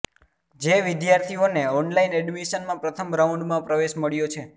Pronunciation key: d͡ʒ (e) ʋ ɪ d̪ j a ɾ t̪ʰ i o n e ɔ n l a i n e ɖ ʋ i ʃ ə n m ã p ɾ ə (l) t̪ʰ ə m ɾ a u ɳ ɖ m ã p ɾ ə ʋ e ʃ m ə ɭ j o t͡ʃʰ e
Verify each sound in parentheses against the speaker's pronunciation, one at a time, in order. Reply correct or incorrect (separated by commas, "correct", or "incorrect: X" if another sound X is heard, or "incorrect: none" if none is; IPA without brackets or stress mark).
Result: correct, incorrect: none